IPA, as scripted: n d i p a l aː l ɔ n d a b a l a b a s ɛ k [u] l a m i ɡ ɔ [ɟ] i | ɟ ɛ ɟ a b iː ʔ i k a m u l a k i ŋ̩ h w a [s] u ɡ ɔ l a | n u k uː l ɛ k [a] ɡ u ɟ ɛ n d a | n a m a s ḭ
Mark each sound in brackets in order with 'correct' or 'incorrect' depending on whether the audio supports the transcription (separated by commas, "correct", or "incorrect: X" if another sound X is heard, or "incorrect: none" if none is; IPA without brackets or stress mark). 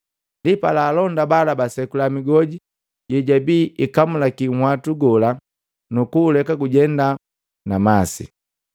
correct, correct, incorrect: t, correct